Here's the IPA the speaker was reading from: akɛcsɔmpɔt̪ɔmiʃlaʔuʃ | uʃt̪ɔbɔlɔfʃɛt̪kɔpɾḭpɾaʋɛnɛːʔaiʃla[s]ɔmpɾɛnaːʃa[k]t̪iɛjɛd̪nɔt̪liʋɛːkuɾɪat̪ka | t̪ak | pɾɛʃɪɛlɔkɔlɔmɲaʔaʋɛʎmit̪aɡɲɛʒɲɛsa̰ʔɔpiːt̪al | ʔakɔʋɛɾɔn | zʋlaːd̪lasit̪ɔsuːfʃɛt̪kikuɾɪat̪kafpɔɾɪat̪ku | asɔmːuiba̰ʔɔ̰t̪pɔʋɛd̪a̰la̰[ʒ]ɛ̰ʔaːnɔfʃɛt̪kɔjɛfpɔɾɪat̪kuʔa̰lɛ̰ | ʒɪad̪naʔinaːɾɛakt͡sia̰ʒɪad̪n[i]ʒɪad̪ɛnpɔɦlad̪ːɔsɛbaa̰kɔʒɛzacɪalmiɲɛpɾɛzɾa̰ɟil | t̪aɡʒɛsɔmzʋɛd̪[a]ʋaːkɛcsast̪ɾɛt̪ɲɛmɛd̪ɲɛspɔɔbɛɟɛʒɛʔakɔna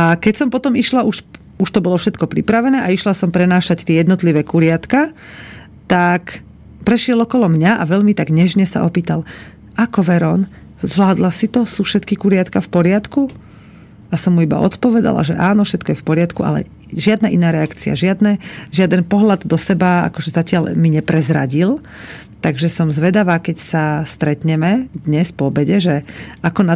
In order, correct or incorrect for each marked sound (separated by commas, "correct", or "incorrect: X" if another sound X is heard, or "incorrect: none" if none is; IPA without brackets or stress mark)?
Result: correct, incorrect: c, correct, incorrect: ɛ, correct